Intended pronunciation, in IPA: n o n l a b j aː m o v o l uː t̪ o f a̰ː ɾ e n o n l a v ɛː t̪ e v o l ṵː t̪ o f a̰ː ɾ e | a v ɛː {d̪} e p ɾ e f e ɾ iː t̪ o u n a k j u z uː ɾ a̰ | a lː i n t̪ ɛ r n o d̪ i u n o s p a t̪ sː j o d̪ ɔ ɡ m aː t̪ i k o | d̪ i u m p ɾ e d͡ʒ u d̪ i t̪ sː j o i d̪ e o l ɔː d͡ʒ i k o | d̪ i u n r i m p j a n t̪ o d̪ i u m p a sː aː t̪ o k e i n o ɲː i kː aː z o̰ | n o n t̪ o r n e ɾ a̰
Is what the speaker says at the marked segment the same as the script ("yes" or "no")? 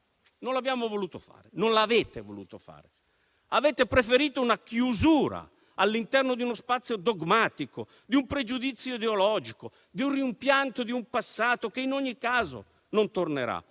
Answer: no